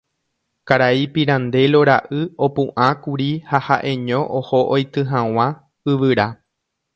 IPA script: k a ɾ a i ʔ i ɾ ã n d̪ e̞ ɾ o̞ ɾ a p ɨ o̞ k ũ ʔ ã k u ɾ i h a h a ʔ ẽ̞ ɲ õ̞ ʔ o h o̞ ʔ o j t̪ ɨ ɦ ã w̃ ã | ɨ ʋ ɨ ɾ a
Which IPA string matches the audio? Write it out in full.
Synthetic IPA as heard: k a ɾ a i p i ɾ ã n d̪ e̞ l o̞ ɾ a ʔ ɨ o̞ p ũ ʔ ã k u ɾ i h a h a ʔ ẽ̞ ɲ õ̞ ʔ o h o̞ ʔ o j t̪ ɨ ɦ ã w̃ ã | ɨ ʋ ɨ ɾ a